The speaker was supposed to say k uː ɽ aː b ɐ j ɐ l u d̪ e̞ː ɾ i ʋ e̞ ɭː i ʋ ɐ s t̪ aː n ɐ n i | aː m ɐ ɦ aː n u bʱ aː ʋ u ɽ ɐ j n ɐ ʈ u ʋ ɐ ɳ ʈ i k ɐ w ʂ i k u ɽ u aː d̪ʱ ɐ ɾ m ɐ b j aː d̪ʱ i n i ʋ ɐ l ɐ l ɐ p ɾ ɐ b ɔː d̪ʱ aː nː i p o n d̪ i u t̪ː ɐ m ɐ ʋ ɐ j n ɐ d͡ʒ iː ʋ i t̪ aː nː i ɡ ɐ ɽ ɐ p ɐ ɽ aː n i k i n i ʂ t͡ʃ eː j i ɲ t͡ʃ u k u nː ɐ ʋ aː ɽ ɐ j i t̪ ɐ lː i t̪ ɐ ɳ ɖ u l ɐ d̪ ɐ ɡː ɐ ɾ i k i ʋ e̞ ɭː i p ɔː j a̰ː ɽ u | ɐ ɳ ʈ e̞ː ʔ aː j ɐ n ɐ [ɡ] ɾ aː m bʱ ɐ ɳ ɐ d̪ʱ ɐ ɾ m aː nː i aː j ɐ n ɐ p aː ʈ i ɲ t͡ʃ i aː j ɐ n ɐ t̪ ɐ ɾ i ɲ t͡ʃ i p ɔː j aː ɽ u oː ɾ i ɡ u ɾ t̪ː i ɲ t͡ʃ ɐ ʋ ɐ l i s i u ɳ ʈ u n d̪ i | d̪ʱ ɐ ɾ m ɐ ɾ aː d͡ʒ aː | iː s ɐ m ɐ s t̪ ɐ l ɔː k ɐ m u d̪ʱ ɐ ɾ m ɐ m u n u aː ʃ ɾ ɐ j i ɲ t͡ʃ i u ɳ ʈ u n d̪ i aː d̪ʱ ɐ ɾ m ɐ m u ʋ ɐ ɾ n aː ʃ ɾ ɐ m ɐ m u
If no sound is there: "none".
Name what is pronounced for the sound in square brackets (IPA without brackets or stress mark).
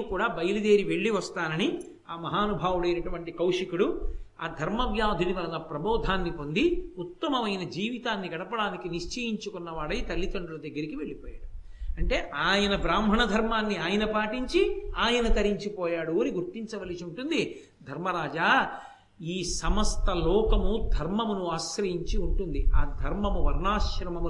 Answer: b